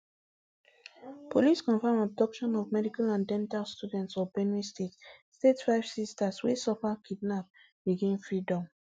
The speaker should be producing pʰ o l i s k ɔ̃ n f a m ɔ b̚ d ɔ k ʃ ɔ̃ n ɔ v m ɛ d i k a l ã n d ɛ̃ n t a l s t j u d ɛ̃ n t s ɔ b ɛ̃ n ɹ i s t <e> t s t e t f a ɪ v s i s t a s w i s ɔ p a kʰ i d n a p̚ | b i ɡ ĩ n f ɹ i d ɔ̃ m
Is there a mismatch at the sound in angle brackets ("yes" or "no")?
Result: no